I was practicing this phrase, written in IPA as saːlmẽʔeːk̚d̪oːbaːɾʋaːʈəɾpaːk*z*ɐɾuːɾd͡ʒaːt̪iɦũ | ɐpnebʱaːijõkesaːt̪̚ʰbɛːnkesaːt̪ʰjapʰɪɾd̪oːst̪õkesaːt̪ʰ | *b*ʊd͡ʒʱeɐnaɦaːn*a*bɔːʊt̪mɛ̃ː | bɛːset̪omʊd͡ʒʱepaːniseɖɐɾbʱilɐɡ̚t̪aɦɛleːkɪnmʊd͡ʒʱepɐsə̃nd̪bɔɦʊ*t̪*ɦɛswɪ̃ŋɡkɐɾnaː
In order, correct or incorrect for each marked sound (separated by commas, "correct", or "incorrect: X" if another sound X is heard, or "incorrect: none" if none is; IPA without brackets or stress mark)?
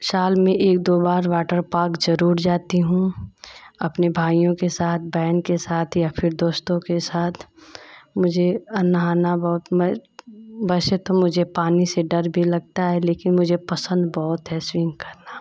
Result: correct, incorrect: m, correct, correct